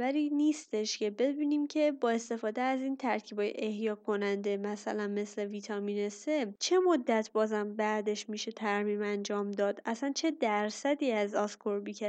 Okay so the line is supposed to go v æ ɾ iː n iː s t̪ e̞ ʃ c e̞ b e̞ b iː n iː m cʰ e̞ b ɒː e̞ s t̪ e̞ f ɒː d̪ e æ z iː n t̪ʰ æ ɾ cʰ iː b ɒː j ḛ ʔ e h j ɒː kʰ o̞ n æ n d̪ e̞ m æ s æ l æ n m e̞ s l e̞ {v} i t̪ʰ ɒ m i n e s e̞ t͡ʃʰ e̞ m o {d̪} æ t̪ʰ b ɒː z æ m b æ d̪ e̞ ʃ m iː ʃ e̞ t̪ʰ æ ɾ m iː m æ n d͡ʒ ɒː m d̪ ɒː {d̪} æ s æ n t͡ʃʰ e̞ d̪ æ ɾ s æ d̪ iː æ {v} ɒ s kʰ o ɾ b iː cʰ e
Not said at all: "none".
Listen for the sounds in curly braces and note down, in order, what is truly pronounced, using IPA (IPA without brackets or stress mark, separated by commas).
v, d̪ː, d̪, z